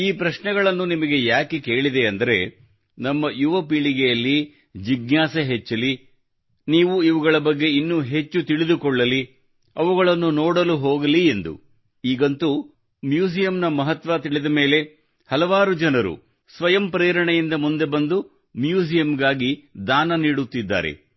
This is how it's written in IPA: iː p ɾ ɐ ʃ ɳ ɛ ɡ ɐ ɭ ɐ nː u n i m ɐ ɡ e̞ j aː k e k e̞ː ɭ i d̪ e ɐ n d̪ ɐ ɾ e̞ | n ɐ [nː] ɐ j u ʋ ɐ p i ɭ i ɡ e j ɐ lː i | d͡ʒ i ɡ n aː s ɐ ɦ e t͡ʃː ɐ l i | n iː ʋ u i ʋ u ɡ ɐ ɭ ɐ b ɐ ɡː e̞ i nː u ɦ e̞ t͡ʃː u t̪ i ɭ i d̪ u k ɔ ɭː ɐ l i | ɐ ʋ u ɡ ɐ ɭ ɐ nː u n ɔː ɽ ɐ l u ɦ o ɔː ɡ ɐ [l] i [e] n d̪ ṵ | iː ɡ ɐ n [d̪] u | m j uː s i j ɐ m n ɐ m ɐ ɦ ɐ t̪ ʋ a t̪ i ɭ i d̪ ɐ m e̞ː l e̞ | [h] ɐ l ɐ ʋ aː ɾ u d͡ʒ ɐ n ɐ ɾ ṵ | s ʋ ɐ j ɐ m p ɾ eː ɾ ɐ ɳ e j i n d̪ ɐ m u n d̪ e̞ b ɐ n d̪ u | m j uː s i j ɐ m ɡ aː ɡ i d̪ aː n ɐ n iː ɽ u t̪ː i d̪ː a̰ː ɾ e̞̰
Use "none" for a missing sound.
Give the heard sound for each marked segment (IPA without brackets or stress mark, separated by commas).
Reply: mː, l, e, t̪, h